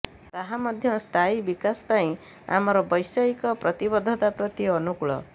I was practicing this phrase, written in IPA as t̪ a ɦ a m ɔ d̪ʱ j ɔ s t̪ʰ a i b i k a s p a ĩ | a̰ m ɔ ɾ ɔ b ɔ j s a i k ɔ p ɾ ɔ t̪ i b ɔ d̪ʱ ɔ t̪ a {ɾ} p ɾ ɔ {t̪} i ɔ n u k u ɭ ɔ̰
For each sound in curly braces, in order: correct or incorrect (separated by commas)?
incorrect, correct